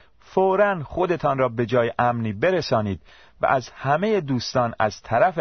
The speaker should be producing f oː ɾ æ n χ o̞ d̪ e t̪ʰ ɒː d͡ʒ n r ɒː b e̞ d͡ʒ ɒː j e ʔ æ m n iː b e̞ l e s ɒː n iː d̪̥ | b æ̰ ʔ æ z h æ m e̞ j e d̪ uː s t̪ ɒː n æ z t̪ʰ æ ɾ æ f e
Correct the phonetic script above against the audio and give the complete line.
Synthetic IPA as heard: f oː ɾ æ n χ o̞ d̪ e t̪ʰ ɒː n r ɒː b e̞ d͡ʒ ɒː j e ʔ æ m n iː b e̞ ɾ e s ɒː n iː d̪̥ | v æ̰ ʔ æ z h æ m e̞ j e d̪ uː s t̪ ɒː n æ z t̪ʰ æ ɾ æ f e